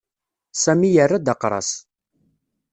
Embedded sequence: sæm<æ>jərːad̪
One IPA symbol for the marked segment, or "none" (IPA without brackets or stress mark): i